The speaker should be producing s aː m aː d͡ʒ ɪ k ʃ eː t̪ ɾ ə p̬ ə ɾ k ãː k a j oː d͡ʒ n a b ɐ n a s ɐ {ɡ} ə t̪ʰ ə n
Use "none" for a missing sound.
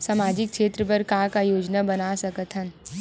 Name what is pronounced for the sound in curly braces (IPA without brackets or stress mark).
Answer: k